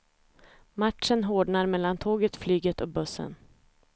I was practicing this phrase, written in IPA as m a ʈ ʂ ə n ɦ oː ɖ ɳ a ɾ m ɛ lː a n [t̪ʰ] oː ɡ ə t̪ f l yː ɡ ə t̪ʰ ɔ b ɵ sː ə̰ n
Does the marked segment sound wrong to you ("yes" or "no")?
no